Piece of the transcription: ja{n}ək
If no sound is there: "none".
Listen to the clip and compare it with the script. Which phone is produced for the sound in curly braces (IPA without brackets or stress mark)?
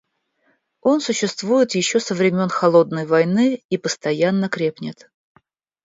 nː